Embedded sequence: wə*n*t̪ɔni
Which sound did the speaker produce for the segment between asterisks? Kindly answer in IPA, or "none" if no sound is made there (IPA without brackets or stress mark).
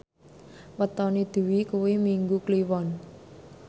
none